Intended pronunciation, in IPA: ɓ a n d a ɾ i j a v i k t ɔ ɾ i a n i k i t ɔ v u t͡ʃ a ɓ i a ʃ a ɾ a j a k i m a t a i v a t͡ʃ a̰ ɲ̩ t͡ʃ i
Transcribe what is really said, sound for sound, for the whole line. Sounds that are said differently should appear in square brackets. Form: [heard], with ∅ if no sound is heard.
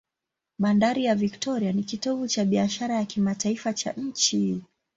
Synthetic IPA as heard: ɓ a n d a ɾ i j a v i k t ɔ ɾ i a n i k i t ɔ v u t͡ʃ a ɓ i a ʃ a ɾ a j a k i m a t a i [f] a t͡ʃ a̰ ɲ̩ t͡ʃ i